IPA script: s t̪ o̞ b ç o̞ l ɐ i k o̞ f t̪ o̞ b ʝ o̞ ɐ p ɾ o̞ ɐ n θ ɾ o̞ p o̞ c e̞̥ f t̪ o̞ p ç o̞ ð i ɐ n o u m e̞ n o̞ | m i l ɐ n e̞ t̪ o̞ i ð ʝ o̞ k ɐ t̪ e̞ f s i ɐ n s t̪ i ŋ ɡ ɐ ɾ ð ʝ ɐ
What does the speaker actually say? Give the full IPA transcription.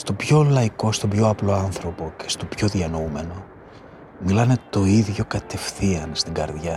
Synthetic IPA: s t̪ o̞ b ç o̞ l ɐ i k o̞ s t̪ o̞ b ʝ o̞ ɐ p l o̞ ɐ n θ ɾ o̞ p o̞ c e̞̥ s t̪ o̞ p ç o̞ ð i ɐ n o u m e̞ n o̞ | m i l ɐ n e̞ t̪ o̞ i ð ʝ o̞ k ɐ t̪ e̞ f θ i ɐ n s t̪ i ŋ ɡ ɐ ɾ ð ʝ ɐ